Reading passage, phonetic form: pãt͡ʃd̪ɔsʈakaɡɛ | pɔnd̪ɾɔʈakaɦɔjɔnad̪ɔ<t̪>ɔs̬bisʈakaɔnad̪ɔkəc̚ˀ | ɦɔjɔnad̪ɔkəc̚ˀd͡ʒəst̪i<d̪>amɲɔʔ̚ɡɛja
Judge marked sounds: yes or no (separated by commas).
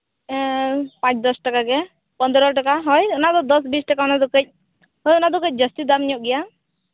no, yes